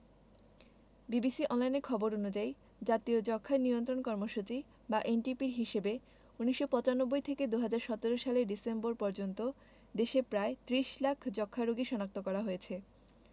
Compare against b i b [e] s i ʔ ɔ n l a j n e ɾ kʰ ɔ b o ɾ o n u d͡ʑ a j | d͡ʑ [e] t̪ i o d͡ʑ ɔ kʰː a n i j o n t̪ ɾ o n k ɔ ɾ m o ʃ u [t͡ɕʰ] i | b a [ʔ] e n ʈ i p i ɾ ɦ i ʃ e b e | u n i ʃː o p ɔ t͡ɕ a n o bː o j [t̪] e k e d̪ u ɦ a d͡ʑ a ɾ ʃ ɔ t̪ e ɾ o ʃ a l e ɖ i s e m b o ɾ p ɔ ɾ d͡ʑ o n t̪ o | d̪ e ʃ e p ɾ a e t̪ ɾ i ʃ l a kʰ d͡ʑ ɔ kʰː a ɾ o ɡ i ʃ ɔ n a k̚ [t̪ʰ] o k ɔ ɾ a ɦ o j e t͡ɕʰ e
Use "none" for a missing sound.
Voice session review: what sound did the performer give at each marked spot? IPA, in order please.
i, a, t͡ɕ, ʔ, t̪ʰ, t̪

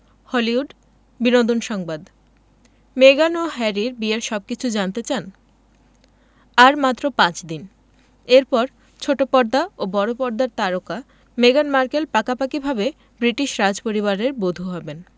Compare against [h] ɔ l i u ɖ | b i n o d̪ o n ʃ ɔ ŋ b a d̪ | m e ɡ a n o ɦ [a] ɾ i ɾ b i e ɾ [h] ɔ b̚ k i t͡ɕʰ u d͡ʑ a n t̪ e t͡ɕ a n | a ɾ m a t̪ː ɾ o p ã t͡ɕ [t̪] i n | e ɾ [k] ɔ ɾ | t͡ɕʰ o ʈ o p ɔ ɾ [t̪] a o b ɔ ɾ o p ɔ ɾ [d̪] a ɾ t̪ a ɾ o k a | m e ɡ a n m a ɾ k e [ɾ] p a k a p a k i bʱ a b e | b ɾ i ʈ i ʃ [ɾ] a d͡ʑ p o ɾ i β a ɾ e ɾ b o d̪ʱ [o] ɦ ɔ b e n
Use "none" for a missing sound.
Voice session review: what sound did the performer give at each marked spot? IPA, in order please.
h, ɛ, ʃ, d̪, p, d̪, d̪, l, ɾ, u

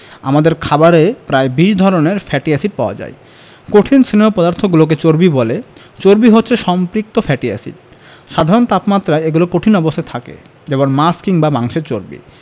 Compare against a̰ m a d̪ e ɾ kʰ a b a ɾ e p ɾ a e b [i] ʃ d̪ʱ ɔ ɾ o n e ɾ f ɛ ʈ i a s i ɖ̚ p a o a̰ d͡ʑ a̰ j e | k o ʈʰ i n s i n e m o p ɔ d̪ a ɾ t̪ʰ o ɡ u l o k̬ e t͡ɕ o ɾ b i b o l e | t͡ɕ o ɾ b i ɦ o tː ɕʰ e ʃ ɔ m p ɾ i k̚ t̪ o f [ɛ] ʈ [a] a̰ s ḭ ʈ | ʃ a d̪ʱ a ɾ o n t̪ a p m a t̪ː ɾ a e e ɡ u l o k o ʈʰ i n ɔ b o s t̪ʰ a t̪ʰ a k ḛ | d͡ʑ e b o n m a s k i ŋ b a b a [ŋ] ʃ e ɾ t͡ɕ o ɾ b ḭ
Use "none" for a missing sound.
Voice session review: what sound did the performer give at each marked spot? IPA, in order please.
i, ɛ, i, ŋ

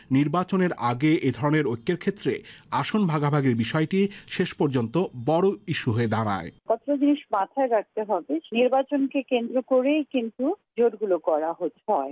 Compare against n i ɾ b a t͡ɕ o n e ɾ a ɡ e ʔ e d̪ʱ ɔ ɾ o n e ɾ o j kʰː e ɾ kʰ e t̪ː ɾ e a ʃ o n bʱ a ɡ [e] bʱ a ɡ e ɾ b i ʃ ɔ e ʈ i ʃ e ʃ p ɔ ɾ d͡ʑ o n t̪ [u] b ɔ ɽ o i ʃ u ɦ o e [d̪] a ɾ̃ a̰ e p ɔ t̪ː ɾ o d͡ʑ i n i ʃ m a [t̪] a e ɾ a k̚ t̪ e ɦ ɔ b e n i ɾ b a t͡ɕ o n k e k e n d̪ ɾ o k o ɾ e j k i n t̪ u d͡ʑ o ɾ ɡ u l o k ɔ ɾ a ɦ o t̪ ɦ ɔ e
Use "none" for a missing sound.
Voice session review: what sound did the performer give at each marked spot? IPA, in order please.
a, o, d̪, t̪ʰ

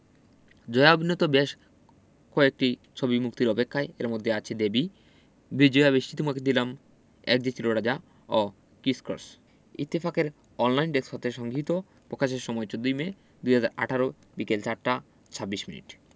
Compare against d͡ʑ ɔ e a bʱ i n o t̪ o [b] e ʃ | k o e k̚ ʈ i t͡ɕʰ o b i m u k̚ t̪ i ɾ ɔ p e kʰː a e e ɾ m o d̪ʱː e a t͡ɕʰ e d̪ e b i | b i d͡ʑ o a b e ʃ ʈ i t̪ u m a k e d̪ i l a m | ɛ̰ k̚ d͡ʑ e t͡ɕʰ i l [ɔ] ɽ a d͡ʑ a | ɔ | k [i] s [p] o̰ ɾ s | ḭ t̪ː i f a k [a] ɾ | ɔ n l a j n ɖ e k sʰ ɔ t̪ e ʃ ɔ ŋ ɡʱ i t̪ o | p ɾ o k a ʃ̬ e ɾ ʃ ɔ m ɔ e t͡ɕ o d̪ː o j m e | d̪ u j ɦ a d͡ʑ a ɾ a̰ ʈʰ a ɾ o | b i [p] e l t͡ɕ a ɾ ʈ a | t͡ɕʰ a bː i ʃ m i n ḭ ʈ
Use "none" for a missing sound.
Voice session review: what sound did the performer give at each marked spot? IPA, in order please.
b, o, i, k, e, k

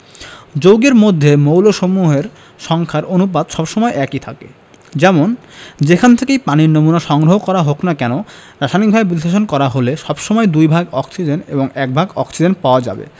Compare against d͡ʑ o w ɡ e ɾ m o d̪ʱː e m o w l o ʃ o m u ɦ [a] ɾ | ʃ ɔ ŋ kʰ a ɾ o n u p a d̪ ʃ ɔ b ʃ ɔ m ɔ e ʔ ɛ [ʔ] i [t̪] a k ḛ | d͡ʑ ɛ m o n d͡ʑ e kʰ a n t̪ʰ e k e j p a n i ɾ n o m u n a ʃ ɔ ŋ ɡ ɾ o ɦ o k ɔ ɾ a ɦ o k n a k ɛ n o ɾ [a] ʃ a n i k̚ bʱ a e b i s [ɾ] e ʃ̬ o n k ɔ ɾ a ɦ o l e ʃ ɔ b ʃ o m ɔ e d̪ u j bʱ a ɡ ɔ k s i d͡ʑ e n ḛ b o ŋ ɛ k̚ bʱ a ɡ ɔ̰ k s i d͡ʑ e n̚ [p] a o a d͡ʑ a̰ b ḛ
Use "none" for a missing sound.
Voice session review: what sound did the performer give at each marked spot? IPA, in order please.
e, k, t̪ʰ, a, l, p

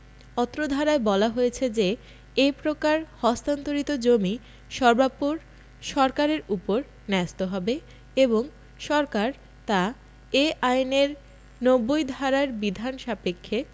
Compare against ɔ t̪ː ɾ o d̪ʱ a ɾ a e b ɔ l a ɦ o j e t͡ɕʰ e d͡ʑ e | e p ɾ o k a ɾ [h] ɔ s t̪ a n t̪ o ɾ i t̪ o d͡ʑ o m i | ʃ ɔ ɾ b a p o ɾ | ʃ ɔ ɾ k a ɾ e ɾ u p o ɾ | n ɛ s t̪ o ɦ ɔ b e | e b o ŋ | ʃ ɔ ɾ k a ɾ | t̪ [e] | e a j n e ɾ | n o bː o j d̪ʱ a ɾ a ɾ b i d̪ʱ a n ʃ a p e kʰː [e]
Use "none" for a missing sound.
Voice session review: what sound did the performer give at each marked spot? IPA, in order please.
h, a, e

